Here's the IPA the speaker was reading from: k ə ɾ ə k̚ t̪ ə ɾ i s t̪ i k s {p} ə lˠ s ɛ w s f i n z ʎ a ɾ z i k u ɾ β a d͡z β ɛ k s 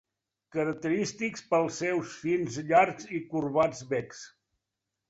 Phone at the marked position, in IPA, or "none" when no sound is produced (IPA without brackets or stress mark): p